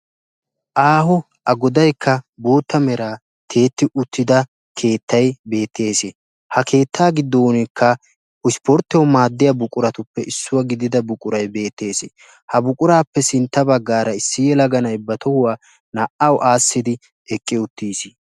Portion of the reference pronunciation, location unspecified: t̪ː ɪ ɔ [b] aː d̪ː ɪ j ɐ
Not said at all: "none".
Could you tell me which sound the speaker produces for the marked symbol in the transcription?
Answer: m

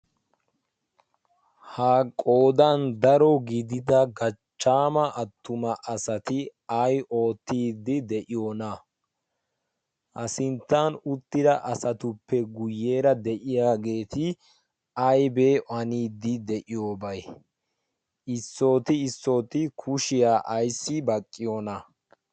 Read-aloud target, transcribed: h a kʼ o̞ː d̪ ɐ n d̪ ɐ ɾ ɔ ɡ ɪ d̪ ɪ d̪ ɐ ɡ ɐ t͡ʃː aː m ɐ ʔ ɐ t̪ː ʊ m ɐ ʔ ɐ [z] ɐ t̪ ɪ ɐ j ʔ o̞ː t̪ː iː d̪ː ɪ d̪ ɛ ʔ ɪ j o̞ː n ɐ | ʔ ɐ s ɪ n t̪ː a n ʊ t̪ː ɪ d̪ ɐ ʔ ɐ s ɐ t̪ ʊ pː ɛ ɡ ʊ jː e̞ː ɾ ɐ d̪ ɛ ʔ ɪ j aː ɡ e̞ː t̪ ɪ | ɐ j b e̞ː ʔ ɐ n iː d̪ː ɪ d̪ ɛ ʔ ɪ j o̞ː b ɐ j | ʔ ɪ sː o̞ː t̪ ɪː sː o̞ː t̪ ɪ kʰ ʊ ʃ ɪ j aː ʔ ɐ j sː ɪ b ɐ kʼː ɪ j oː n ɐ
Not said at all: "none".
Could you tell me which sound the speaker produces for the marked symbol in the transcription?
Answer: s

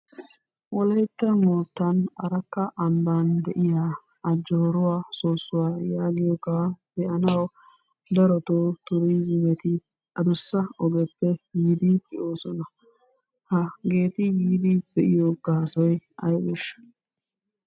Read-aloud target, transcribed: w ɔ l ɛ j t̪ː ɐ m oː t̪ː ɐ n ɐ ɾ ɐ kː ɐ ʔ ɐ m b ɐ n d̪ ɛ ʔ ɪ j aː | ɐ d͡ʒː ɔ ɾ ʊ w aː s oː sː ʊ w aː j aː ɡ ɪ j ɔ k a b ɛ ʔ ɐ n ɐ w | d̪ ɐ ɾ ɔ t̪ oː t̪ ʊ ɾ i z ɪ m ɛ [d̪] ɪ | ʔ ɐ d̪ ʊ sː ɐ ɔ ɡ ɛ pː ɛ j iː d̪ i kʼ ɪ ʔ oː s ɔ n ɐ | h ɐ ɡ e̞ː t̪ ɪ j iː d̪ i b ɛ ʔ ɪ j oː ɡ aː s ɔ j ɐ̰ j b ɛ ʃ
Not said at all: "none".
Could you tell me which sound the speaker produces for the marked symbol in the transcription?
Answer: t̪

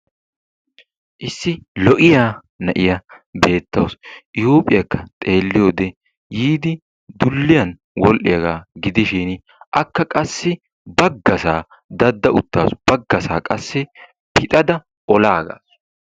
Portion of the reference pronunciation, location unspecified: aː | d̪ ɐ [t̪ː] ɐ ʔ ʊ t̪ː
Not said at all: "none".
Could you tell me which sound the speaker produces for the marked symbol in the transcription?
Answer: d̪ː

